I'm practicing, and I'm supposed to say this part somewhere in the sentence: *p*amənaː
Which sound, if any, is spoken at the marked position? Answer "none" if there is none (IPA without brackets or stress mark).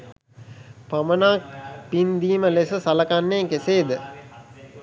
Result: p